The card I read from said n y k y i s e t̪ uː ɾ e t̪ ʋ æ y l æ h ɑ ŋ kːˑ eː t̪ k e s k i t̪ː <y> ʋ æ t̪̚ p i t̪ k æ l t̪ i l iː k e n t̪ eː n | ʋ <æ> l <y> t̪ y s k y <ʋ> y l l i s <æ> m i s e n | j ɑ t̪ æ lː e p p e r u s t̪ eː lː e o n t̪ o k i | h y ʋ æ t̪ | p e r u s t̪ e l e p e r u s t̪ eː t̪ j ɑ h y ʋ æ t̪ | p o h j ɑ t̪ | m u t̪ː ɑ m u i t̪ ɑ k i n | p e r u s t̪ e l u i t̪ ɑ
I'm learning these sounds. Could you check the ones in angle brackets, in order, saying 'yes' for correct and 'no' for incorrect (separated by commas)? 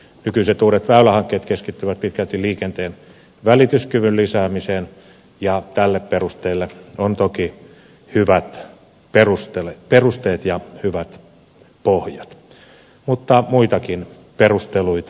yes, yes, no, yes, no